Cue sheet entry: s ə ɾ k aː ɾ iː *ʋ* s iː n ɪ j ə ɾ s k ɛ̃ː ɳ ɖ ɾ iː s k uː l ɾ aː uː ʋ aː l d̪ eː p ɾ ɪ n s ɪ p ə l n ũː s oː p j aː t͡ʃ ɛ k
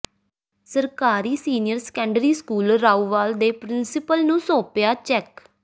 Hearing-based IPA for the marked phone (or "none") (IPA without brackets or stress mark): none